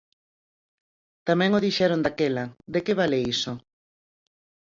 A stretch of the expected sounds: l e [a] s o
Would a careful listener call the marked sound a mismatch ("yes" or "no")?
yes